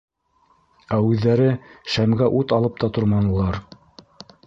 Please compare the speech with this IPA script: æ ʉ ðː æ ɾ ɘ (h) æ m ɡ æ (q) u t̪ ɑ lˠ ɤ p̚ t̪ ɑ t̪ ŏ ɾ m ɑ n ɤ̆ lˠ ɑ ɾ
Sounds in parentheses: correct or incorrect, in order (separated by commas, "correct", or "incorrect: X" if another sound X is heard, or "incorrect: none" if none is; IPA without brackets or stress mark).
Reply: incorrect: ʃ, incorrect: ʔ